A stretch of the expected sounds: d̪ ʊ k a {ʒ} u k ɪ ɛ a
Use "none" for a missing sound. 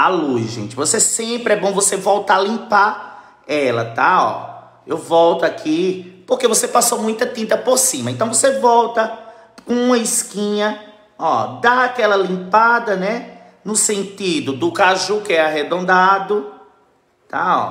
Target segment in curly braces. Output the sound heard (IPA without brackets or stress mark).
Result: ʒ